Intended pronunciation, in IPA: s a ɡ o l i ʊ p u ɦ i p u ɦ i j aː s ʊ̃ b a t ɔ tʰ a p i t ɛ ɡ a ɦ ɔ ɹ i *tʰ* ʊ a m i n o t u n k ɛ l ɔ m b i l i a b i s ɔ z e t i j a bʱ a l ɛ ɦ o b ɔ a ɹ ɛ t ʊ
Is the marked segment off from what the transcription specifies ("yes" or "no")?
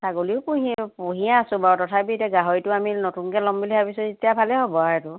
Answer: yes